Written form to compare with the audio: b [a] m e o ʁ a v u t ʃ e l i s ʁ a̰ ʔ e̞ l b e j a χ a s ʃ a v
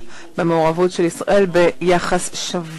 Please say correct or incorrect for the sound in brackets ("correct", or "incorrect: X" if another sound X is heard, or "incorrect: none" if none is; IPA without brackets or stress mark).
incorrect: e